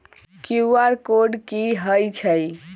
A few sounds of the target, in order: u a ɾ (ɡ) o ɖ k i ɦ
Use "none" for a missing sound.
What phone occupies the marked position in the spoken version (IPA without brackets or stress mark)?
k